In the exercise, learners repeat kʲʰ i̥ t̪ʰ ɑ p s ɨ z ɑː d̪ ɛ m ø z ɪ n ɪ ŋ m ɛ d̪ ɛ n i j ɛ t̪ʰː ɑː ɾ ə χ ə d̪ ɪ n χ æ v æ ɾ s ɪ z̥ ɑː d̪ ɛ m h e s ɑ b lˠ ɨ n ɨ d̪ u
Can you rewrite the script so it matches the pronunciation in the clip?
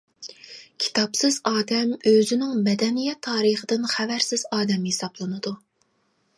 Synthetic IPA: kʲʰ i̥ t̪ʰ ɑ p s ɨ z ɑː d̪ ɛ m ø z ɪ n ɪ ŋ m ɛ d̪ ɛ n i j ɛ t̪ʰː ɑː ɾ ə χ ə d̪ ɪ n χ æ v æ ɾ s ɪ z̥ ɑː d̪ ɛ m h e s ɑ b lˠ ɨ n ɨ d̪ u